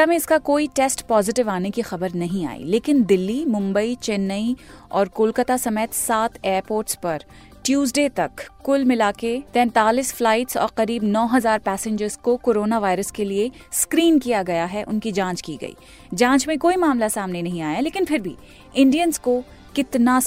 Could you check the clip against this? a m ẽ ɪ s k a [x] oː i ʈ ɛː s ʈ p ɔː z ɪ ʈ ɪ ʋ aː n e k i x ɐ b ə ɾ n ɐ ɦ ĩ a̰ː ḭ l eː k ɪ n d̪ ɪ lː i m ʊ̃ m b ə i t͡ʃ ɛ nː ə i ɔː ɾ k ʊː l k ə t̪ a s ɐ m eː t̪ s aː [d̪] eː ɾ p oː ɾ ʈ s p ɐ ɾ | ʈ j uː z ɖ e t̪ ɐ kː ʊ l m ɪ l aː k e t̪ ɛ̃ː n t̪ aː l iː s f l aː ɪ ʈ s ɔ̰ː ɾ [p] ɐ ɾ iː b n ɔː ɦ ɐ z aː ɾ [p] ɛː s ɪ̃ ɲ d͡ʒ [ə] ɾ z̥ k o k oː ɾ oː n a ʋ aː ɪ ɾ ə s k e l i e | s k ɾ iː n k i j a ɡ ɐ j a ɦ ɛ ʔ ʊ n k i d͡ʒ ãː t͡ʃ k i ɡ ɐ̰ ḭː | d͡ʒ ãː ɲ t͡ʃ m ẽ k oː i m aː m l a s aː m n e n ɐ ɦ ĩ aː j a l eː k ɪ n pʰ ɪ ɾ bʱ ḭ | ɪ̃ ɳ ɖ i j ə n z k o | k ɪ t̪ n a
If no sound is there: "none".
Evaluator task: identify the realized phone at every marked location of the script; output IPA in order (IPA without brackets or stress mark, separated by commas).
k, t̪, q, p, ə